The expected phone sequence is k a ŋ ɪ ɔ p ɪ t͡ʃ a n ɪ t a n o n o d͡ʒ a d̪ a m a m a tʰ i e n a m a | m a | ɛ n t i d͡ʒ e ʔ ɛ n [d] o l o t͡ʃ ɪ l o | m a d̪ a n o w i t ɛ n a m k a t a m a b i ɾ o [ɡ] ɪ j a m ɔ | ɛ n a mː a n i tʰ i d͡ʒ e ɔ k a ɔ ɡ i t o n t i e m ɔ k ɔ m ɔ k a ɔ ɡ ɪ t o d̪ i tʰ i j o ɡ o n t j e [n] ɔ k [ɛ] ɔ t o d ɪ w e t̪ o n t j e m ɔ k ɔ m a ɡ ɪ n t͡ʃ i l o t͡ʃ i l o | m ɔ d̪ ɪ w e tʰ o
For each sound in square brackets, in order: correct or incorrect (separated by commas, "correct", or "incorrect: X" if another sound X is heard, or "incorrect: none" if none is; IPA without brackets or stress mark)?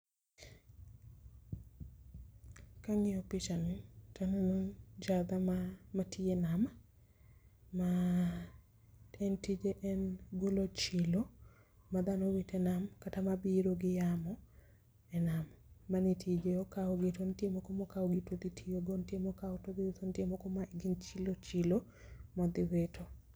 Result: incorrect: ɡ, correct, incorrect: m, incorrect: a